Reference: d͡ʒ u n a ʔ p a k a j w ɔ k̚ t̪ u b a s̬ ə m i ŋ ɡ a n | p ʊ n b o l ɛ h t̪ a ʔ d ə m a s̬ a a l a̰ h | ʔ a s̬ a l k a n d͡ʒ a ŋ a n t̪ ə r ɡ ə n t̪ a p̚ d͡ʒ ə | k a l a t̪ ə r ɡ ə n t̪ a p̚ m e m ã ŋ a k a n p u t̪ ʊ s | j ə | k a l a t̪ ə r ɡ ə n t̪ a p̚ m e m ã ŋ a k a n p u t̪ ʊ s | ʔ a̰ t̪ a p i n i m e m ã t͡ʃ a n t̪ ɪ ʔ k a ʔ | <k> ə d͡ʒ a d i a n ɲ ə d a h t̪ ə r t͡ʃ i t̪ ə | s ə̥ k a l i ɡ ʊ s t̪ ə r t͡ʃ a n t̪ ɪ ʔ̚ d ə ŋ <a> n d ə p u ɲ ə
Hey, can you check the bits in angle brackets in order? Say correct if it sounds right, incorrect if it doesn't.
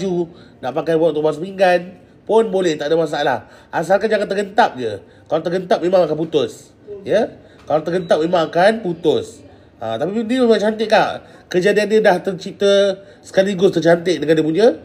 correct, correct

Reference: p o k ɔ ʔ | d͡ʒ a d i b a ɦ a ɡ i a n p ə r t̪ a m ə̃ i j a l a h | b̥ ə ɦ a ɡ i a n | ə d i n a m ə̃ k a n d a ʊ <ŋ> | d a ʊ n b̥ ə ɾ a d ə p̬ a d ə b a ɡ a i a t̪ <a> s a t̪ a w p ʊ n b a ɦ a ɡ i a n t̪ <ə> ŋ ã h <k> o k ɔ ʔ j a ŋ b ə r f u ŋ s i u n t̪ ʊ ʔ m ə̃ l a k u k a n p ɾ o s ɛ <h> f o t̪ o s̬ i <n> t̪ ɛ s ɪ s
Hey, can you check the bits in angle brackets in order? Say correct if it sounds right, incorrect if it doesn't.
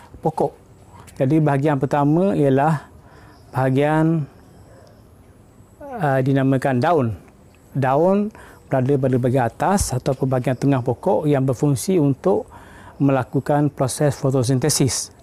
incorrect: n, correct, correct, incorrect: p, incorrect: s, correct

